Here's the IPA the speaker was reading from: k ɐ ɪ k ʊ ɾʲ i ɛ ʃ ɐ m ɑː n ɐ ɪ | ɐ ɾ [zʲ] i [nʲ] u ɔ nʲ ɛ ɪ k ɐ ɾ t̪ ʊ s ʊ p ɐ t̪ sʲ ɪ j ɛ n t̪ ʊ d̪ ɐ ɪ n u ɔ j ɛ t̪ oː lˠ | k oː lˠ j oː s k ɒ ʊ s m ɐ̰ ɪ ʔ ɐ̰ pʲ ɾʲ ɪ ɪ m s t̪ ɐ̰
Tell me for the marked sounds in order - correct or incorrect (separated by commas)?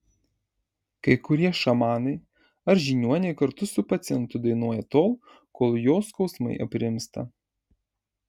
incorrect, correct